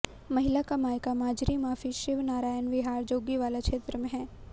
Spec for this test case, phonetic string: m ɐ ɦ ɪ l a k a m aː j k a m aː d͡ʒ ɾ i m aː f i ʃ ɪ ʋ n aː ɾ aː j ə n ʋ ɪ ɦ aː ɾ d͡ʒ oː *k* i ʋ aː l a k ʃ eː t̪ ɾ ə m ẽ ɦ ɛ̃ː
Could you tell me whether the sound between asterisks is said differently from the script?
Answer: yes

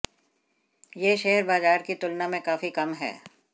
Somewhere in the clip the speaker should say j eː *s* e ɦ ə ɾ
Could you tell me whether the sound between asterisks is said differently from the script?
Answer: yes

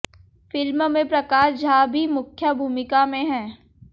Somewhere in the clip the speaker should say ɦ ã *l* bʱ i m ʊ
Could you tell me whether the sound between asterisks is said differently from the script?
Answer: yes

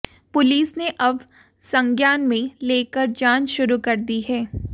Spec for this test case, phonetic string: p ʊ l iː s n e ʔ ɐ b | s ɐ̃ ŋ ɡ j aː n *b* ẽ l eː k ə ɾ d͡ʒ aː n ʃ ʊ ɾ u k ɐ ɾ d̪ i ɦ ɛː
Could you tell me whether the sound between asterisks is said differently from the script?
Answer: yes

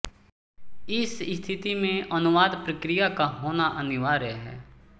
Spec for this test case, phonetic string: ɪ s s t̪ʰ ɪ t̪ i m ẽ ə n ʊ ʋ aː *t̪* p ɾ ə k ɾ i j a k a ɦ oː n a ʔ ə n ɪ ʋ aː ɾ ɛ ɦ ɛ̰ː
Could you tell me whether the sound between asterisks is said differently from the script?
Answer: yes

